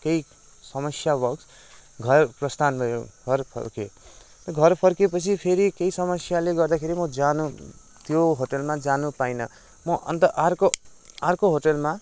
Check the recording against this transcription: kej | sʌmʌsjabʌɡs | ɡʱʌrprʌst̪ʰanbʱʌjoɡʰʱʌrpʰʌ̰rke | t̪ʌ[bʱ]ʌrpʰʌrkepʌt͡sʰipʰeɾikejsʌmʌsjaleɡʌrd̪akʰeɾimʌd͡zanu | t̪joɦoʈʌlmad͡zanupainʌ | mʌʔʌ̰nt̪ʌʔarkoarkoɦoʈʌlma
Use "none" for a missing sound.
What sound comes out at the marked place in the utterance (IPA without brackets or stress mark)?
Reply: ɡʱ